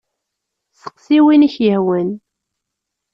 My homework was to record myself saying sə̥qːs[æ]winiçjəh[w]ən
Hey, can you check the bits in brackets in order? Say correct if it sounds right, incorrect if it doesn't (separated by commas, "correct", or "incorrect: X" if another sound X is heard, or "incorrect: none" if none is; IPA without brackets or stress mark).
incorrect: i, correct